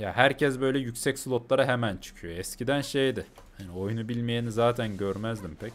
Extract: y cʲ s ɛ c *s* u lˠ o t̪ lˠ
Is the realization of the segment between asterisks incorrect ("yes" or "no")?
no